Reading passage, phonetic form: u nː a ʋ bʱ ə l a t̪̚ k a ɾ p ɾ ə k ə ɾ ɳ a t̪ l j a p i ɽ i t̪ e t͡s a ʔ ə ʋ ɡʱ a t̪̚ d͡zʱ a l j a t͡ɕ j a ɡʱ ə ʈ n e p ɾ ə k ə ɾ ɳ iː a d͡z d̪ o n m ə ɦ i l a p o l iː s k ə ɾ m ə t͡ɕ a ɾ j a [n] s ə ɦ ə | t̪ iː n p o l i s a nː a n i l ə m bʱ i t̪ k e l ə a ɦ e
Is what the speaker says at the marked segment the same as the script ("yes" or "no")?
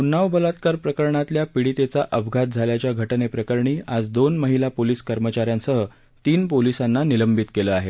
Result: yes